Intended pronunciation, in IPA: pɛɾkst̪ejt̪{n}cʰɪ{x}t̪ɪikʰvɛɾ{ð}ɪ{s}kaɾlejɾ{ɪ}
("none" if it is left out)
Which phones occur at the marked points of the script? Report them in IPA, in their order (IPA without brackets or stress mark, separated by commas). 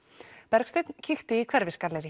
n, x, v, s, ɪ